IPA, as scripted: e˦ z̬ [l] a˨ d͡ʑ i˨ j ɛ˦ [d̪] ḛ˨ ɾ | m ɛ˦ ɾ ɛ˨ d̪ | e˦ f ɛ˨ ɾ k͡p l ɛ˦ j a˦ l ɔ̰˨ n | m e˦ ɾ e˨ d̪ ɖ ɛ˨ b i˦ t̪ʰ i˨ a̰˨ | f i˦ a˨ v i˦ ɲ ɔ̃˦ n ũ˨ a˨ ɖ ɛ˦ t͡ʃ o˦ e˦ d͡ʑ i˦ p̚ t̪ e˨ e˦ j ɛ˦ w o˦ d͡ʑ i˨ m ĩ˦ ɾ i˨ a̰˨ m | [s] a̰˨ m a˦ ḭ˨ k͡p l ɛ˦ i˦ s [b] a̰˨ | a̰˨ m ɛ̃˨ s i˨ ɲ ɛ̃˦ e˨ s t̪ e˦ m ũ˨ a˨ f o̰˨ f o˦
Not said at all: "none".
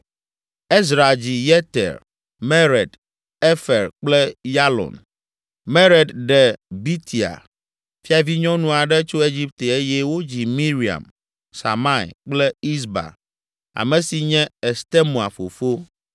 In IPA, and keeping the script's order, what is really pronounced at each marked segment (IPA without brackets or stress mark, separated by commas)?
ɾ, t̪, s, b